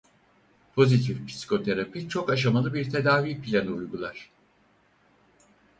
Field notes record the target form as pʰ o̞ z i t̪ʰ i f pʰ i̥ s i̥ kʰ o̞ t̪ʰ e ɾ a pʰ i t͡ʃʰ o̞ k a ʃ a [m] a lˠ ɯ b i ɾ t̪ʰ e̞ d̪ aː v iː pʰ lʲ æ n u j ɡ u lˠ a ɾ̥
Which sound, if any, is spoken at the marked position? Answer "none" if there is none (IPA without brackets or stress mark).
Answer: m